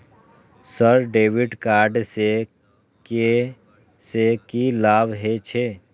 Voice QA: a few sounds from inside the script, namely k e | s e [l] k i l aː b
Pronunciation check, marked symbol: incorrect: none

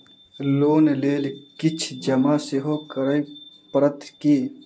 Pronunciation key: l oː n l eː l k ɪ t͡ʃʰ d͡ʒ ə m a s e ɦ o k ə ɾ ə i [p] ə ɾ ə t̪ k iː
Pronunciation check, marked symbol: correct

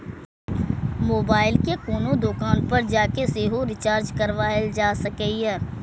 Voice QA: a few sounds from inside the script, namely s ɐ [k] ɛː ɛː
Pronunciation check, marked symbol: correct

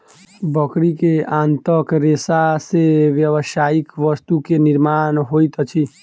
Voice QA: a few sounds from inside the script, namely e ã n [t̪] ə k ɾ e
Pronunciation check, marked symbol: correct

